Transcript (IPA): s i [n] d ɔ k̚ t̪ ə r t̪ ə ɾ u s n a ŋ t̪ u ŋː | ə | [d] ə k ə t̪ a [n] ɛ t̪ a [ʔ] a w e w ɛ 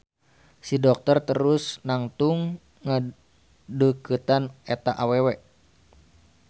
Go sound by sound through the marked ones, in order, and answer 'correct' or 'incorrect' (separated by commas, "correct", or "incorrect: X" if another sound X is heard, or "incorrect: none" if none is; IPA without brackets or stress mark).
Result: incorrect: none, correct, correct, correct